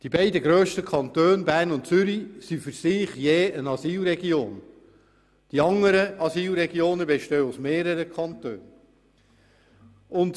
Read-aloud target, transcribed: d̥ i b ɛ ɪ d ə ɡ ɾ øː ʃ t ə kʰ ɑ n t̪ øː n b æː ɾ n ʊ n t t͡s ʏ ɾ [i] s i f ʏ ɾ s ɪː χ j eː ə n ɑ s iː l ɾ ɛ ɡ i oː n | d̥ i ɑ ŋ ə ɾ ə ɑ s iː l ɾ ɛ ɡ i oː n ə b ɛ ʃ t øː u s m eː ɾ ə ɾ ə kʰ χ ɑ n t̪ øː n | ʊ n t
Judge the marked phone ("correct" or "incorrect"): correct